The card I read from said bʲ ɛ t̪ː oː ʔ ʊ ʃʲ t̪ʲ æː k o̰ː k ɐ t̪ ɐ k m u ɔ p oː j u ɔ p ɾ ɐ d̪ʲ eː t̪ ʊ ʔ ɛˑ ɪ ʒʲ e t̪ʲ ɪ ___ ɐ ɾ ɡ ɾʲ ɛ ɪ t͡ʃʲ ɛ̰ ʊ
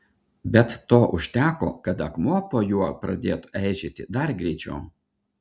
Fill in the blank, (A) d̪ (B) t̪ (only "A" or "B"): A